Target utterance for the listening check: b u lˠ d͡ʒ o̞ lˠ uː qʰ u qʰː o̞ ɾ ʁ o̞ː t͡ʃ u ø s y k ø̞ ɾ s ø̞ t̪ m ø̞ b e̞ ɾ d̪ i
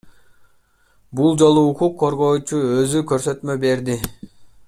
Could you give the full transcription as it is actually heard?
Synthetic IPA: b u lˠ d͡ʒ o̞ lˠ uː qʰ u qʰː o̞ ɾ ʁ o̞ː t͡ʃ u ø z y k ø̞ ɾ s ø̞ t̪ m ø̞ b e̞ ɾ d̪ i